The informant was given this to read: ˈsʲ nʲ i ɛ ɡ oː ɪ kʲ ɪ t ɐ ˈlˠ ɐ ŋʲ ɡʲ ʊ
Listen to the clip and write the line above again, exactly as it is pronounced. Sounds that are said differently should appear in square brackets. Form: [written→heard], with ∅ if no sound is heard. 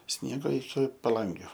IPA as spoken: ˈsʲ nʲ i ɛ ɡ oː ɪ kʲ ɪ [t→p] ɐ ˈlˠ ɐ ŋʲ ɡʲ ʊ